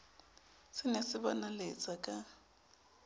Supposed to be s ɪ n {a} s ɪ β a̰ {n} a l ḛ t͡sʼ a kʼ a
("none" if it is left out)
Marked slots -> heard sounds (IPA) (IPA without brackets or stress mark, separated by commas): e, n